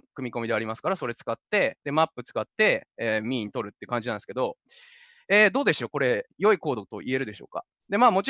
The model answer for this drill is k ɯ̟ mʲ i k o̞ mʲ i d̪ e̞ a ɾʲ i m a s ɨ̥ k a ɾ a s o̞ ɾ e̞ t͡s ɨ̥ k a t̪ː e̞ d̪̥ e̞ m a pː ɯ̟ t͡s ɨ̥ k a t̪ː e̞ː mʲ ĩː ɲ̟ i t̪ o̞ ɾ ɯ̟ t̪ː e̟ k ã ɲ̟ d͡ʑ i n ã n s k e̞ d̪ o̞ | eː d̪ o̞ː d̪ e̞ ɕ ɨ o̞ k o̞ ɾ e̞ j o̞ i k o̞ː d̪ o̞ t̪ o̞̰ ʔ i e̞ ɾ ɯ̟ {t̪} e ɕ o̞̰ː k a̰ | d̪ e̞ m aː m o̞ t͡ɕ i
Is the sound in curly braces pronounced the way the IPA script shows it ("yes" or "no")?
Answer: no